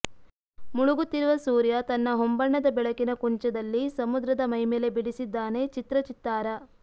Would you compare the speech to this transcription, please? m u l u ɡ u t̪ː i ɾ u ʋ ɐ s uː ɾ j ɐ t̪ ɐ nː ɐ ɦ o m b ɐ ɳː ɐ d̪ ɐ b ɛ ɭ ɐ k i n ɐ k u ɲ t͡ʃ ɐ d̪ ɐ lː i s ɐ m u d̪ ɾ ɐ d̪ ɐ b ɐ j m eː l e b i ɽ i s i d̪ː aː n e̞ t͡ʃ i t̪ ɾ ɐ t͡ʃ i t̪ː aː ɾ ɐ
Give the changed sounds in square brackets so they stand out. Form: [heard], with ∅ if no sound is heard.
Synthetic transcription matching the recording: m u [ɭ] u ɡ u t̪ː i ɾ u ʋ ɐ s uː ɾ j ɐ t̪ ɐ nː ɐ ɦ o m b ɐ ɳː ɐ d̪ ɐ b ɛ ɭ ɐ k i n ɐ k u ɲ t͡ʃ ɐ d̪ ɐ lː i s ɐ m u d̪ ɾ ɐ d̪ ɐ [m] ɐ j m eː l e b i ɽ i s i d̪ː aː n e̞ t͡ʃ i t̪ ɾ ɐ t͡ʃ i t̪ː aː ɾ ɐ